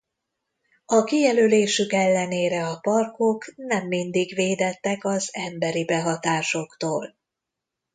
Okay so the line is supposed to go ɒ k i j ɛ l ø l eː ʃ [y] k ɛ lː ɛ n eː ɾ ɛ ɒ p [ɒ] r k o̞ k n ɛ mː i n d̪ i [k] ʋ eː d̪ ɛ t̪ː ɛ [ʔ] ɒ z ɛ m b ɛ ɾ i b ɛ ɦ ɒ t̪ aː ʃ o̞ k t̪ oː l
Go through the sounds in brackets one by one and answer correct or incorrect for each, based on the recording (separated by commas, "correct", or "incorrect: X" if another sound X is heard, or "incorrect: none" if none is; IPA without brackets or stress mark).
correct, correct, incorrect: ɡ, incorrect: k